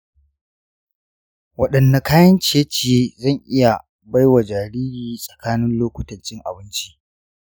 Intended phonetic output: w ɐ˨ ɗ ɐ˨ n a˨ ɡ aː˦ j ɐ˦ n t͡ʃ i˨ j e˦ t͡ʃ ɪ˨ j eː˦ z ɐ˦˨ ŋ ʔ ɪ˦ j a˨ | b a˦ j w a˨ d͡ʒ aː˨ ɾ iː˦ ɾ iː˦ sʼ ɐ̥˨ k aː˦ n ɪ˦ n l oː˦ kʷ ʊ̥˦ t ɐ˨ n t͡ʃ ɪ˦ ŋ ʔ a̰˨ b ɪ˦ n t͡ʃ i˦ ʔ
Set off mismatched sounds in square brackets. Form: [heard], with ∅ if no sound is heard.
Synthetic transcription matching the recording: w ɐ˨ ɗ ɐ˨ [nː] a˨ [k] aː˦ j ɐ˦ n t͡ʃ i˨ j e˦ t͡ʃ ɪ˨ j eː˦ z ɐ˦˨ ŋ ʔ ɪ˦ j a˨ | b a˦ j w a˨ d͡ʒ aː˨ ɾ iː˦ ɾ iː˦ sʼ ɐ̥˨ k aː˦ n ɪ˦ n l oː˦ kʷ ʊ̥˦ t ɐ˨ n t͡ʃ ɪ˦ ŋ ʔ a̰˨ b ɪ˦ n t͡ʃ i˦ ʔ